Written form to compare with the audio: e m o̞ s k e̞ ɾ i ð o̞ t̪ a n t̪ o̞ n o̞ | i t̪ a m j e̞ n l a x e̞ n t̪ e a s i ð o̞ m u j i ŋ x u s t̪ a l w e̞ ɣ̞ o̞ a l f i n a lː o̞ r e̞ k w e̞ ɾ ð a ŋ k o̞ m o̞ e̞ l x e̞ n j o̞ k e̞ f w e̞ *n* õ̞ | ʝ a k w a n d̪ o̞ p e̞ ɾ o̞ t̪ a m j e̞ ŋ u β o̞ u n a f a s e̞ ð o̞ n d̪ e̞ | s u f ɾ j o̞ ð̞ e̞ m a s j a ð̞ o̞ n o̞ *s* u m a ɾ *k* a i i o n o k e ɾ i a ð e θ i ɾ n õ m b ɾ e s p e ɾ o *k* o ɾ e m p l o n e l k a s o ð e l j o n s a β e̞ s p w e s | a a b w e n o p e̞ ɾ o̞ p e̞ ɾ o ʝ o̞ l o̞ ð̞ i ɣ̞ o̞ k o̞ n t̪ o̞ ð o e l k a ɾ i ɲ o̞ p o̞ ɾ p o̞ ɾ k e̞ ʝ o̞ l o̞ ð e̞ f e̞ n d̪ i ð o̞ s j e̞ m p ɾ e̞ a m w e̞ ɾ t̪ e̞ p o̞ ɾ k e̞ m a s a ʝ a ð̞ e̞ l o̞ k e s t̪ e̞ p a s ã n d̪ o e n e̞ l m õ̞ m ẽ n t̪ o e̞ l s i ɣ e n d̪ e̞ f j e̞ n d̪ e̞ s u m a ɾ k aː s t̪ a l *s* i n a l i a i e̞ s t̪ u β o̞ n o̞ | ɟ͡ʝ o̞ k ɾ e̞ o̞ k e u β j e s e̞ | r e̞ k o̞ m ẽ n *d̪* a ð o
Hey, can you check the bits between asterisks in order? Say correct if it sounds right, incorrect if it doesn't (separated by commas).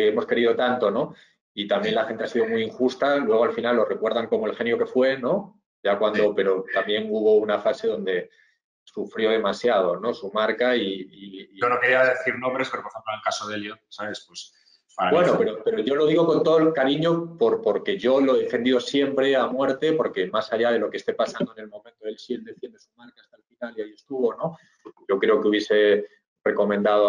correct, correct, correct, incorrect, incorrect, correct